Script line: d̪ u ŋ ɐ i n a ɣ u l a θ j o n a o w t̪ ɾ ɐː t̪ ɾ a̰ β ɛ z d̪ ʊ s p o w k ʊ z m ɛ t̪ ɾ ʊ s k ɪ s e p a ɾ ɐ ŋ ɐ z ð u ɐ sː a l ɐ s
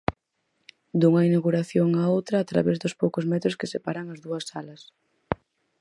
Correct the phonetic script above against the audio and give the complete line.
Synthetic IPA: d̪ u ŋ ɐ i n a ɣ u ɾ a θ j o ŋ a o w t̪ ɾ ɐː t̪ ɾ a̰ β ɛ z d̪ ʊ s p o w k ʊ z m ɛ t̪ ɾ ʊ s k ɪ s e p a ɾ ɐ ŋ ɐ z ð u ɐ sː a l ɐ s